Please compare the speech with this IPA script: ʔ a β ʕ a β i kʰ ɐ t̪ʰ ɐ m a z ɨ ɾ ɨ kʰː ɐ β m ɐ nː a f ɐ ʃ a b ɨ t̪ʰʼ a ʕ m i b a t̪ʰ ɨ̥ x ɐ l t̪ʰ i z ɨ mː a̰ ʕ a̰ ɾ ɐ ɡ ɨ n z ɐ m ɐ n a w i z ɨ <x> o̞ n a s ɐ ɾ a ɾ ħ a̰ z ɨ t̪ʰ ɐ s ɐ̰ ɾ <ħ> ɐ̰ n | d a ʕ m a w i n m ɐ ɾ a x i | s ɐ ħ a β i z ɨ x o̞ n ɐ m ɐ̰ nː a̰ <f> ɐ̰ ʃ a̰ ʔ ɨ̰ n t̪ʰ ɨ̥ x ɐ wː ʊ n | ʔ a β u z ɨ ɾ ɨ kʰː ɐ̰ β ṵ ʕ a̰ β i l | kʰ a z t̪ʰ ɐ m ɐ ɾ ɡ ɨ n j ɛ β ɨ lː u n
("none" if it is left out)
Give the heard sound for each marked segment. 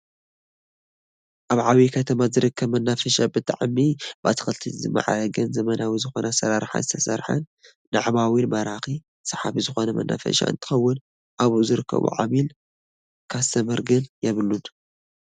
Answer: x, ħ, f

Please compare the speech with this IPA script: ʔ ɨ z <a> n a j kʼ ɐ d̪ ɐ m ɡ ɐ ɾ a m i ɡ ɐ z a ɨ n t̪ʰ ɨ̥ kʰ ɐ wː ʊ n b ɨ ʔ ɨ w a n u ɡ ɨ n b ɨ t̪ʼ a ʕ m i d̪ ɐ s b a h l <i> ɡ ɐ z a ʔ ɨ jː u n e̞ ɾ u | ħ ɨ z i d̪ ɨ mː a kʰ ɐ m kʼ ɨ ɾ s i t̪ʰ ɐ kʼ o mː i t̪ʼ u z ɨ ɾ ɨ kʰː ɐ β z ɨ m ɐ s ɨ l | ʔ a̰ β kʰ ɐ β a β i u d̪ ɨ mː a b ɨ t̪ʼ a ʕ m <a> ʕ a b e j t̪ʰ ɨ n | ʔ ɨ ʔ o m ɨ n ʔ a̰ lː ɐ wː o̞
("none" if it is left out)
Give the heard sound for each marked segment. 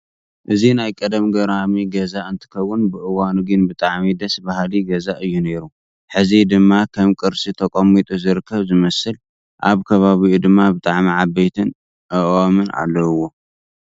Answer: i, i, i

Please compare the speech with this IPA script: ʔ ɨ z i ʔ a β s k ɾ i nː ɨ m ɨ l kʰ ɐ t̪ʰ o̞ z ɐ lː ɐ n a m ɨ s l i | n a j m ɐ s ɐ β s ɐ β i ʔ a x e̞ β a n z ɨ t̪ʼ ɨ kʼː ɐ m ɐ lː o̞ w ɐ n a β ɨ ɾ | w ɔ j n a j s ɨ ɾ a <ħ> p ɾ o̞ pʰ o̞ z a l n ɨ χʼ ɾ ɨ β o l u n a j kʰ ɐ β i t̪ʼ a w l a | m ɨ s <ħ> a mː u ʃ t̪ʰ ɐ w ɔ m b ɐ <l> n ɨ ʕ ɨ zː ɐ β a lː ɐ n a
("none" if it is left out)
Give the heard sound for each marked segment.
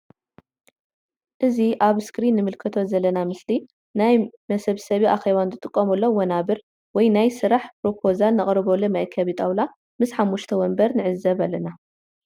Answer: ħ, ħ, ɾ

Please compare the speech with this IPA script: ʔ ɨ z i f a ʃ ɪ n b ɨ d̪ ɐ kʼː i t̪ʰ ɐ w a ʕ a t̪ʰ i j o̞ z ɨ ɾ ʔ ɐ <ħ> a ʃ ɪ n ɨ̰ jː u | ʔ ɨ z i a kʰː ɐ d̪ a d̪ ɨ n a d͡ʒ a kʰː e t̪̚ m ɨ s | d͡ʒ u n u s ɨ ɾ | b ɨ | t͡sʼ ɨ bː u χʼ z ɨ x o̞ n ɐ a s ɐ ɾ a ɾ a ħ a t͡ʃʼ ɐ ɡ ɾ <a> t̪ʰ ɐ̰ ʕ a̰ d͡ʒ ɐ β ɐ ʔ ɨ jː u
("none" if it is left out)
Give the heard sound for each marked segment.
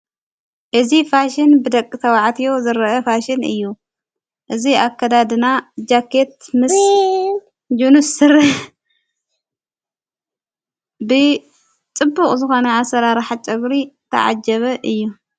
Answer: f, i

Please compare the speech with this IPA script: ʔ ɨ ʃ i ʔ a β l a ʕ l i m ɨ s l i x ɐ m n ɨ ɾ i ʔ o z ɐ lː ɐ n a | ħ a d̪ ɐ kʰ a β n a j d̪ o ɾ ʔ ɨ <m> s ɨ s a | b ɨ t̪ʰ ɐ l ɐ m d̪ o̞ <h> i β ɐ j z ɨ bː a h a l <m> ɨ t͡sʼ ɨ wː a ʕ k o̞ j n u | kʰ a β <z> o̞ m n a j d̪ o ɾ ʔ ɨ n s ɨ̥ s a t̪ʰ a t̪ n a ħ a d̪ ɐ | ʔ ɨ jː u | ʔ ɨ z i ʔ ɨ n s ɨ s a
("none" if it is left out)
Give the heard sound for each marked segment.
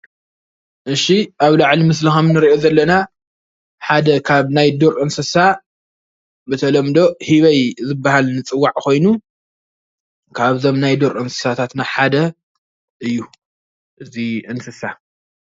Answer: n, h, n, z

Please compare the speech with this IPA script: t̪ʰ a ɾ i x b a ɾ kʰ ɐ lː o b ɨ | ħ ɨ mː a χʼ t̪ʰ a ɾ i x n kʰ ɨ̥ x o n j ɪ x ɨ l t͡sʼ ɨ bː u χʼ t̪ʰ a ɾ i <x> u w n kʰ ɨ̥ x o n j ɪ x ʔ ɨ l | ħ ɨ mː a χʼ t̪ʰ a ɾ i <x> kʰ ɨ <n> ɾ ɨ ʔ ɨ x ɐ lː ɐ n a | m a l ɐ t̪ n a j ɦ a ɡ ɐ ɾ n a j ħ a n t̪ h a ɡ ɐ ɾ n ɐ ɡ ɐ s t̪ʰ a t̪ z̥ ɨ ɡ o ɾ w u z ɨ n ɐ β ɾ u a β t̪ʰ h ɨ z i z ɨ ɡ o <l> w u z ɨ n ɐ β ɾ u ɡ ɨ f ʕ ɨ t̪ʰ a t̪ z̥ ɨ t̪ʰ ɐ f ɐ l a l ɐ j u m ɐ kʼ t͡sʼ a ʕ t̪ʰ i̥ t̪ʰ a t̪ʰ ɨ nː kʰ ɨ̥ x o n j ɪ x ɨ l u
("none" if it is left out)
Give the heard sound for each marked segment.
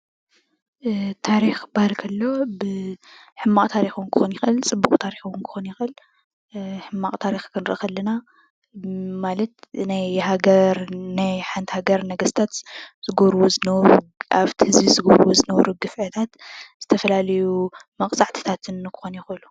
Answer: x, x, n, ɾ

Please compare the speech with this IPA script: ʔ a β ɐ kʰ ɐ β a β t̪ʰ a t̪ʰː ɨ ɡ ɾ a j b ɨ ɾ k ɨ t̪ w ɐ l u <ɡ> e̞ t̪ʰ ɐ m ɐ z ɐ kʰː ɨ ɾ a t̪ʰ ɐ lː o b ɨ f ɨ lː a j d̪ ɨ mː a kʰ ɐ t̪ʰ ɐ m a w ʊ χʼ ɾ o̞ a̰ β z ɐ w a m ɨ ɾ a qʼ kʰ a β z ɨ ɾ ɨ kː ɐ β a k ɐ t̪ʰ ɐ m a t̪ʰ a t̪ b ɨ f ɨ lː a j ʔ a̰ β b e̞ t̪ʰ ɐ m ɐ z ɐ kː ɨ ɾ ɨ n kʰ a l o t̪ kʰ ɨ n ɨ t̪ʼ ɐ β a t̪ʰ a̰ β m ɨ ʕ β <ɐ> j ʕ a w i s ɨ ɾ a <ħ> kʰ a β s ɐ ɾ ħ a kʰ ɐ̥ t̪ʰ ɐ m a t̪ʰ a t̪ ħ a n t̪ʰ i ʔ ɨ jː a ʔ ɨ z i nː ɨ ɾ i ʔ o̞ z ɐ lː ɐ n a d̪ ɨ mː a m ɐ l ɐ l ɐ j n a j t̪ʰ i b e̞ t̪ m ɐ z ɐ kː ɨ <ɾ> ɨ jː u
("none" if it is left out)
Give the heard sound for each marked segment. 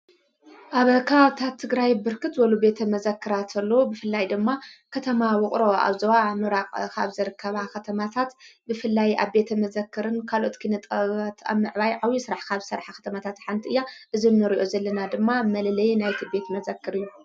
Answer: b, a, ħ, ɾ

